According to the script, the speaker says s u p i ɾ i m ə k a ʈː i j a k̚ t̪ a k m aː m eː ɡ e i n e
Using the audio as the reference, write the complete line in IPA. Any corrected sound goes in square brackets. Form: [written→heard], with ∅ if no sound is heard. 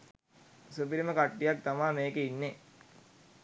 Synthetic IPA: s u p i ɾ i m ə k a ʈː i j a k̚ t̪ a [k→∅] m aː m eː [ɡ→k] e i [n→nː] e